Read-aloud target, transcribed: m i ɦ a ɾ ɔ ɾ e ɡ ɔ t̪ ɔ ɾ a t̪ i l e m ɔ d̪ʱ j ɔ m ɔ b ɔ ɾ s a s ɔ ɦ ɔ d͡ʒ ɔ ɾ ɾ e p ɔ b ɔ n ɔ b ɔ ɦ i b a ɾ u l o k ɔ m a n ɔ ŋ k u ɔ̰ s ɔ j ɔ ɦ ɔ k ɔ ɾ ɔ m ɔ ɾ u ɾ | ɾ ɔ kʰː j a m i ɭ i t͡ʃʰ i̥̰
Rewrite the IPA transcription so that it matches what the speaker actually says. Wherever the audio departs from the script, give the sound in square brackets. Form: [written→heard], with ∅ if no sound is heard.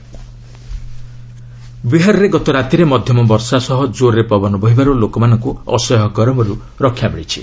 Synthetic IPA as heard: [m→b] i ɦ a ɾ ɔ ɾ e ɡ ɔ t̪ ɔ ɾ a t̪ i [l→ɾ] e m ɔ d̪ʱ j ɔ m ɔ b ɔ ɾ s a s ɔ ɦ ɔ d͡ʒ [ɔ→o] ɾ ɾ e p ɔ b ɔ n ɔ b ɔ ɦ i b a ɾ u l o k ɔ m a n ɔ ŋ k u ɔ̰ s ɔ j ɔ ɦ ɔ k ɔ ɾ ɔ m ɔ ɾ u [ɾ→∅] | ɾ ɔ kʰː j a m i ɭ i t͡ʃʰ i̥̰